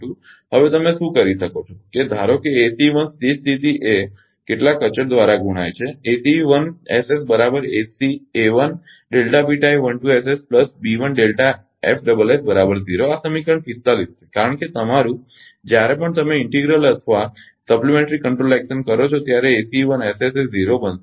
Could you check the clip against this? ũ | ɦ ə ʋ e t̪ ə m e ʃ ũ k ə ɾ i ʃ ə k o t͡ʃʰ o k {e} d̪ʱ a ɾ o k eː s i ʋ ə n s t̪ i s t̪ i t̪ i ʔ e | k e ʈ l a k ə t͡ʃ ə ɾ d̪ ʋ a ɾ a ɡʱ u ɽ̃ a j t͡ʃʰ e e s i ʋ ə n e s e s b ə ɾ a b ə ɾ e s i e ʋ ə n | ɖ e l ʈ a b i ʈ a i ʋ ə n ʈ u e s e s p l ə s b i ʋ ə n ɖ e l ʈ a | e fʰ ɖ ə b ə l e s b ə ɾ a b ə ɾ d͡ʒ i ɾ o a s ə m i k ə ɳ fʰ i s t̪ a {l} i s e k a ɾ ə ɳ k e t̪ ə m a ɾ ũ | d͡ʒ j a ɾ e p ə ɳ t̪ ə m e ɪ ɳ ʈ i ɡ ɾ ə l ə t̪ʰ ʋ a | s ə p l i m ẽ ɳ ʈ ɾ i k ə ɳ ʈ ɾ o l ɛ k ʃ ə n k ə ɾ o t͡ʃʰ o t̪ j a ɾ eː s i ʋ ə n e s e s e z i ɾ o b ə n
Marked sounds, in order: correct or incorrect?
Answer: correct, correct

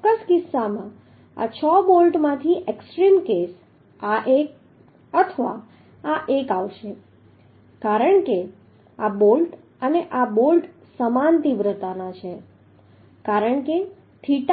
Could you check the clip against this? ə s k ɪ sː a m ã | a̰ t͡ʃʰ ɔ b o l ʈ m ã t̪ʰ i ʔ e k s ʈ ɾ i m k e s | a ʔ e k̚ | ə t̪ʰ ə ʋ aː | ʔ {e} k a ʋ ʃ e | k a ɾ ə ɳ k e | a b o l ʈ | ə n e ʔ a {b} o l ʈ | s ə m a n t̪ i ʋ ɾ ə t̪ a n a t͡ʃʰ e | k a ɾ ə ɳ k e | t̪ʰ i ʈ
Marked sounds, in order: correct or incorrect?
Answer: correct, correct

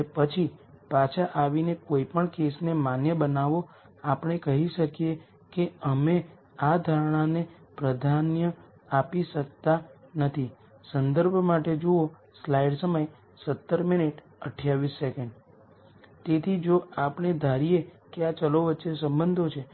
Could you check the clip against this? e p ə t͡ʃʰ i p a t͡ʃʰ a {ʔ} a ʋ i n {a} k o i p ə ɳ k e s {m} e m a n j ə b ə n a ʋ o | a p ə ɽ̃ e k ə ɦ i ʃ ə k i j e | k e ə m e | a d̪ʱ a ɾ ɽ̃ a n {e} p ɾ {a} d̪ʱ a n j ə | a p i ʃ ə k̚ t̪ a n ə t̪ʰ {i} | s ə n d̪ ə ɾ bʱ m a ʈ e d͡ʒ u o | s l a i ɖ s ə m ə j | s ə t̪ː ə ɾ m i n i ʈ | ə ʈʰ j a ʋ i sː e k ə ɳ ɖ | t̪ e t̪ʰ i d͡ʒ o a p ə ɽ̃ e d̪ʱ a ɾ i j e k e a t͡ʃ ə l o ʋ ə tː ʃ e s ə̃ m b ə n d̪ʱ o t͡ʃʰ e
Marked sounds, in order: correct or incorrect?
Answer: correct, incorrect, incorrect, correct, incorrect, correct

